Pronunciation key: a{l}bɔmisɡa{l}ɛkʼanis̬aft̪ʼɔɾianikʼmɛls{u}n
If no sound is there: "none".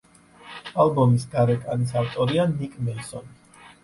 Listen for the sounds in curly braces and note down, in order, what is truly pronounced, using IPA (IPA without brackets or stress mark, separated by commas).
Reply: l, ɾ, ɔ